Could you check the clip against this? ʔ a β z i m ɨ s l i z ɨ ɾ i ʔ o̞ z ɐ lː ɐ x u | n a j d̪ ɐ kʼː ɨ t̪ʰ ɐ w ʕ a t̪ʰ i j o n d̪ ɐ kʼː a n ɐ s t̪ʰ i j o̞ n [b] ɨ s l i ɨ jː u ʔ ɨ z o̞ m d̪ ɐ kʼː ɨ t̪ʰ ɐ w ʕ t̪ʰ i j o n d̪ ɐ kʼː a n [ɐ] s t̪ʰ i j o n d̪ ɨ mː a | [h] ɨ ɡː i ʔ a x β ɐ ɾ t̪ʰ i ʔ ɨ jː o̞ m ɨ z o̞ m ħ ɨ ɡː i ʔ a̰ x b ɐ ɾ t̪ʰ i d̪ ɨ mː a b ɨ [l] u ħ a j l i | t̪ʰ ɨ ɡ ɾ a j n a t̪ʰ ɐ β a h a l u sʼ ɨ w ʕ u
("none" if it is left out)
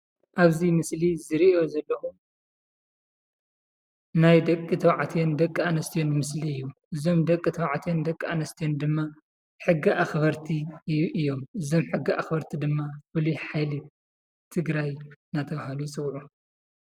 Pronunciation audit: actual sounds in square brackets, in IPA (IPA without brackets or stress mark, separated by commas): m, ɐ, ħ, l